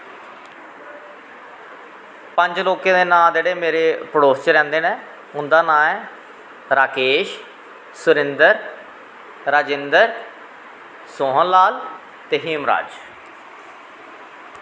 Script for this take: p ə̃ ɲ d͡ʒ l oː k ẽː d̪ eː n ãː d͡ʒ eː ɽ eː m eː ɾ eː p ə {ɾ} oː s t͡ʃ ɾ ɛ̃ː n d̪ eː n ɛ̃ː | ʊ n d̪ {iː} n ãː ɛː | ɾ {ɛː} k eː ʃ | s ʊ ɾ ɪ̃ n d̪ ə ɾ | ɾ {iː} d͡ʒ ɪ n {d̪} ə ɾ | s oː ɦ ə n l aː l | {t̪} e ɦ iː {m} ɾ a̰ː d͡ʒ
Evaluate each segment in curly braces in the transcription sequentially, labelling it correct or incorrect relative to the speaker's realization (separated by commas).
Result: incorrect, incorrect, incorrect, incorrect, correct, correct, correct